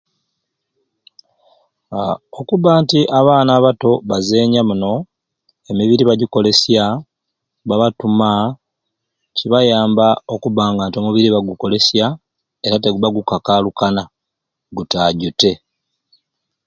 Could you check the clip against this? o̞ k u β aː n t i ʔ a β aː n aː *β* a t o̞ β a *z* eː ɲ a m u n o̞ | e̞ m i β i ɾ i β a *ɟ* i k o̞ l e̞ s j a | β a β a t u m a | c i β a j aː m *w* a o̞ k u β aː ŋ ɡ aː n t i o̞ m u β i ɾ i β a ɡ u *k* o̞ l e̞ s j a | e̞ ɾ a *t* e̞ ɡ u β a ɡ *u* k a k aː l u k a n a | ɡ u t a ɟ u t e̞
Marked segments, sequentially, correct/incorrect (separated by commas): correct, correct, correct, incorrect, correct, correct, correct